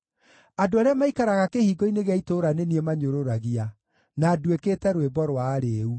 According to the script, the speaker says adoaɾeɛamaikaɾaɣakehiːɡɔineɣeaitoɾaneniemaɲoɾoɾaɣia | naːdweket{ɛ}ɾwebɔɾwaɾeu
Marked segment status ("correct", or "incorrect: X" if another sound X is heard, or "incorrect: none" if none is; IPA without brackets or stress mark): correct